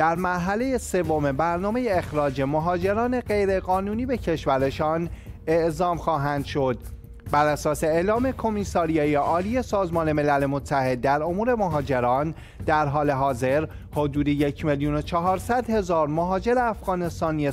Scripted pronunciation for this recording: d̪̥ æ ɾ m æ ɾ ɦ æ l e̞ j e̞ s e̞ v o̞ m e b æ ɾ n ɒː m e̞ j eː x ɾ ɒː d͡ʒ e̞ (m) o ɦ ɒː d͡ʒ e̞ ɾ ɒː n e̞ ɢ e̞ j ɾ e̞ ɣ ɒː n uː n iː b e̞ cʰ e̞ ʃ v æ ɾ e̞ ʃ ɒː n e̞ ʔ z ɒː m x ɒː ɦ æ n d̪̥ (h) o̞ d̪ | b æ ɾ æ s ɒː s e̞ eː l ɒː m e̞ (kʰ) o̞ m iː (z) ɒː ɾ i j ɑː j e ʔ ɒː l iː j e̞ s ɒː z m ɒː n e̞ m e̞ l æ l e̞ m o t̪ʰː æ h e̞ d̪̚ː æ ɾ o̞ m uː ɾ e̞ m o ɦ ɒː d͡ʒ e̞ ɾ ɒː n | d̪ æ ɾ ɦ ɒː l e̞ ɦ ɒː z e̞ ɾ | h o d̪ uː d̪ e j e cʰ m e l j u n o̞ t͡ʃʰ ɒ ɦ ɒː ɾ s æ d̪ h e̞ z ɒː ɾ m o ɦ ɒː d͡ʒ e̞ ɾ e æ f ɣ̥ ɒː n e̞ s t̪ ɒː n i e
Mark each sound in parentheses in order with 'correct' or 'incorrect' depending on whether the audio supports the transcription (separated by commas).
correct, incorrect, correct, incorrect